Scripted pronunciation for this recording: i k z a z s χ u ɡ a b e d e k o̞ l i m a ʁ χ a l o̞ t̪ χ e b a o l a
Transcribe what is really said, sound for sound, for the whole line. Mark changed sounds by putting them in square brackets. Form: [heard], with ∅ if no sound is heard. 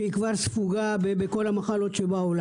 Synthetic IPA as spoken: i k [v] a [ʁ] s [f] u ɡ a b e [b] e k o̞ l [a] m a [∅] χ a l o̞ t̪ [ʃ] e b a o l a